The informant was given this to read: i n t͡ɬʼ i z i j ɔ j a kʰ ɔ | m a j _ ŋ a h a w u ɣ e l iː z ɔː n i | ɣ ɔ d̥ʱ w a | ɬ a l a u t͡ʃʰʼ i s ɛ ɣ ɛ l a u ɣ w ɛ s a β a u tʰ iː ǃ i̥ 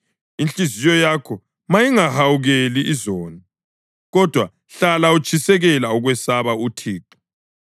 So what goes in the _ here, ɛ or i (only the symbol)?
i